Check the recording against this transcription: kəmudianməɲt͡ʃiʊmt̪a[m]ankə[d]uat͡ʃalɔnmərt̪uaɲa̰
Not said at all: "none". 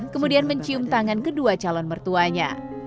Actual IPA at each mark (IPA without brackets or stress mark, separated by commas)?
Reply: ŋ, d